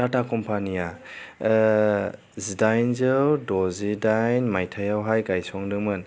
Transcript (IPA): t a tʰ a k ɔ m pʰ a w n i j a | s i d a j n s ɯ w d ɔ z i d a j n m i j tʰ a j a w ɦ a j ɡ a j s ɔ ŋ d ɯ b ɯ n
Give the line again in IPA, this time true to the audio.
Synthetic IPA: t a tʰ a k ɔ m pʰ a n i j a | z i d a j n z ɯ w d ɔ z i d a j n m a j tʰ a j a w ɦ a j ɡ a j s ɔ ŋ d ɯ m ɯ n